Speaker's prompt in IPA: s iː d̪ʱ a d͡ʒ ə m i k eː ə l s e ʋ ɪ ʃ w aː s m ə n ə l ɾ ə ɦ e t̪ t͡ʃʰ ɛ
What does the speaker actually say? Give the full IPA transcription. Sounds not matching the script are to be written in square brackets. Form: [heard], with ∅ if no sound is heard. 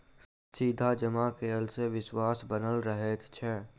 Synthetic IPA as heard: s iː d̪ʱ a d͡ʒ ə m [a] k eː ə l s e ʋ ɪ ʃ w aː s [b] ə n ə l ɾ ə ɦ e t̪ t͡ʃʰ ɛ